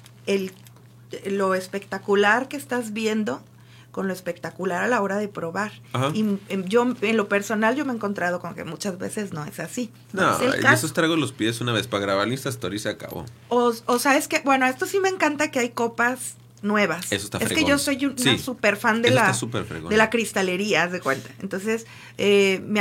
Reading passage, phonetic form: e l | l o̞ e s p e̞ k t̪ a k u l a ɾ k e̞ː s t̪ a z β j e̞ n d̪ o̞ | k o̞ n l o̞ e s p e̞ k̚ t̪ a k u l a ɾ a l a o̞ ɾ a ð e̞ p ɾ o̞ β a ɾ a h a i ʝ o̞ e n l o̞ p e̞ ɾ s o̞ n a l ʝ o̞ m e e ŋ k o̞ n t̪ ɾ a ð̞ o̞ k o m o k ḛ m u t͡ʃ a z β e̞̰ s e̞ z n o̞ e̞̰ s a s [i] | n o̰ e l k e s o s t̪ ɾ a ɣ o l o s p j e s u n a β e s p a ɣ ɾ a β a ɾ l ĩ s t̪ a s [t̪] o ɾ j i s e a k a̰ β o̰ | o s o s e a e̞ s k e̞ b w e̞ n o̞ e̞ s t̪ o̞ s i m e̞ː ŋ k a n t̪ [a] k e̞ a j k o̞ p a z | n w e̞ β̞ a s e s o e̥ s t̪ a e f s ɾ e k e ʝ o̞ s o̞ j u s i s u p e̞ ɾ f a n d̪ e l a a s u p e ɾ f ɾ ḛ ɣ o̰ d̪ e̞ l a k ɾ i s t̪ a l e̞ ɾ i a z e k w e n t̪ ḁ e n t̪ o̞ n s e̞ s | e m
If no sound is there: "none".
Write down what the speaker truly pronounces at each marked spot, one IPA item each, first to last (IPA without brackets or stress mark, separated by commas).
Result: i, t̪, a